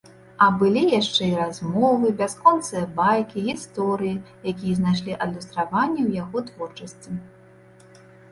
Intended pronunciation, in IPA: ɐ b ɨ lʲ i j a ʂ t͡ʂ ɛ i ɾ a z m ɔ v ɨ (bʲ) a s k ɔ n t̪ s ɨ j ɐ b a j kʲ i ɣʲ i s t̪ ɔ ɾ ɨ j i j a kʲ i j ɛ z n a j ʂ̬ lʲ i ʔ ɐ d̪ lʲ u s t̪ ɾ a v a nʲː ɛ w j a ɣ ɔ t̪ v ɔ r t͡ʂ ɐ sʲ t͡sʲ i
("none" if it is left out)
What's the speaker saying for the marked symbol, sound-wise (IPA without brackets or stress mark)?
bʲ